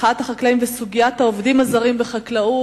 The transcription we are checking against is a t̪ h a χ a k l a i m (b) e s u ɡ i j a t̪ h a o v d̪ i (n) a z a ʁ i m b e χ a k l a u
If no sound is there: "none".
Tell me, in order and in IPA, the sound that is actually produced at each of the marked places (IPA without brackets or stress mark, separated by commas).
v, m